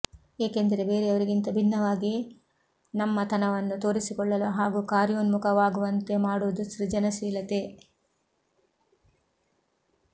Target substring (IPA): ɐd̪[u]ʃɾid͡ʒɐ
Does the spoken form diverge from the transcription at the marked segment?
no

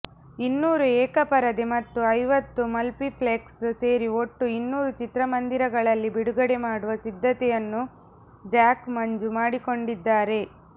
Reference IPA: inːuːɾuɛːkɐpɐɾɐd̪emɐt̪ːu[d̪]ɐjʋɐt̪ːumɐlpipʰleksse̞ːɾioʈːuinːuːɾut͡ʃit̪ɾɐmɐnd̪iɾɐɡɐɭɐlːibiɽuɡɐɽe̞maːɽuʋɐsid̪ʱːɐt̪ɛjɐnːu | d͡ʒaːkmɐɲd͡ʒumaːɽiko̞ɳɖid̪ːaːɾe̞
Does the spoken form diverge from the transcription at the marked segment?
yes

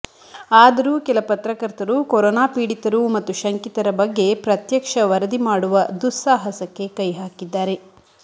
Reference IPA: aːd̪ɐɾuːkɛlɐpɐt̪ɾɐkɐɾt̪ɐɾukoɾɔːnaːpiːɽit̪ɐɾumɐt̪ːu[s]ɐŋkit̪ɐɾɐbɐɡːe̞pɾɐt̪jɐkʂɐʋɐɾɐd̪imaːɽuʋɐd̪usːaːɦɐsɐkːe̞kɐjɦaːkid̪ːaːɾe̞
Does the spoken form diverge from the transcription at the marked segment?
yes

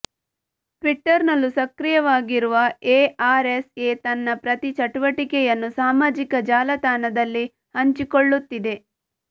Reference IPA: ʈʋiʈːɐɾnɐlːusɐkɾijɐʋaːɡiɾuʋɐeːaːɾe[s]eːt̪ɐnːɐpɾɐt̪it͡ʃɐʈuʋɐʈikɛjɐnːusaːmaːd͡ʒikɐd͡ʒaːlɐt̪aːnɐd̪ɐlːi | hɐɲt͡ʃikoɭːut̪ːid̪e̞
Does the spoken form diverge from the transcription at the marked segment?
no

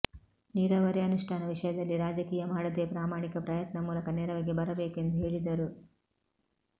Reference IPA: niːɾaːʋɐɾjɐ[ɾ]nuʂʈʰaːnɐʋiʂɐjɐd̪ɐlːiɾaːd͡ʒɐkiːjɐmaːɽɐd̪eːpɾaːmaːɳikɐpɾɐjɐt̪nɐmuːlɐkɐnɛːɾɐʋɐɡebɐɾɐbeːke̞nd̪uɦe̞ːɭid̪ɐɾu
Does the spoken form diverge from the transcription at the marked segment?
yes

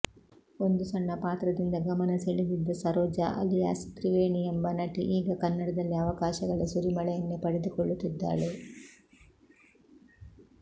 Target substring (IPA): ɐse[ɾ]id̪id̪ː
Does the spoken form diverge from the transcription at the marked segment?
yes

